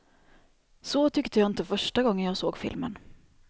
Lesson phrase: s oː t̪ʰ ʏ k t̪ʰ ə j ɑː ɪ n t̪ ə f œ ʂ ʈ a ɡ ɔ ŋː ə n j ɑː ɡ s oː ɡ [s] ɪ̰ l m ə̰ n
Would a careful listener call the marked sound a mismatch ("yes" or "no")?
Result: yes